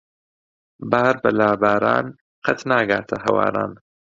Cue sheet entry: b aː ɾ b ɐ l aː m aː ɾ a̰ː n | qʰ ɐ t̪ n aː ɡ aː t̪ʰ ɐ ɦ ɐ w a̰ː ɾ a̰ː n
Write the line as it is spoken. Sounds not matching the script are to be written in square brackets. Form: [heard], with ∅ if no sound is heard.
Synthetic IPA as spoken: b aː ɾ b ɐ l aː [b] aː ɾ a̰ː n | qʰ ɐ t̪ n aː ɡ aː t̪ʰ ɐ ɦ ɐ w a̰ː ɾ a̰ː n